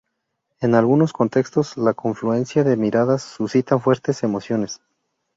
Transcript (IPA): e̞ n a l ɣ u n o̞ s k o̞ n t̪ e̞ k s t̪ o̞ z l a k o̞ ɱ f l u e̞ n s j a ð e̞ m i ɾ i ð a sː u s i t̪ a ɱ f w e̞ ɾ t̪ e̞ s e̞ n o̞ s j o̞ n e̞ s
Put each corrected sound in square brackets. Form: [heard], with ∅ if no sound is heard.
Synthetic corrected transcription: e̞ n a l ɣ u n o̞ s k o̞ n t̪ e̞ k s t̪ o̞ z l a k o̞ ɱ f l u e̞ n s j a ð e̞ m i ɾ [a] ð a sː u s i t̪ a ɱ f w e̞ ɾ t̪ e̞ s e̞ [m] o̞ s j o̞ n e̞ s